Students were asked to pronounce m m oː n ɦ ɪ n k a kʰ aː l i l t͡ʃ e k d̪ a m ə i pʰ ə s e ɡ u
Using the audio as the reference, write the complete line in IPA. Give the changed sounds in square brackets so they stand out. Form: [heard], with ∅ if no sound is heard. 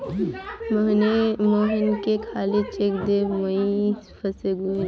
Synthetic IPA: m m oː [∅] ɦ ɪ n k [e] kʰ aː l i [∅] t͡ʃ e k d̪ [e] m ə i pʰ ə s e ɡ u